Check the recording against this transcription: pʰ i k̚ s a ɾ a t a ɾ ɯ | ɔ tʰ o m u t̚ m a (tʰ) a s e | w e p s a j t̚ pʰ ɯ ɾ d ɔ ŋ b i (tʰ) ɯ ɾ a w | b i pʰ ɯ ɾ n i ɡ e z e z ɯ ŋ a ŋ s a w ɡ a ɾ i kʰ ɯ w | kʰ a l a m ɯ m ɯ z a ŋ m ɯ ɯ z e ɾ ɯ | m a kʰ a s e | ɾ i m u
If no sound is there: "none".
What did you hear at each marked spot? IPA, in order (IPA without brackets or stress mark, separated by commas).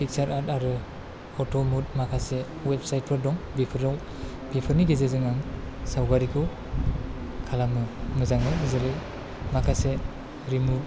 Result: kʰ, pʰ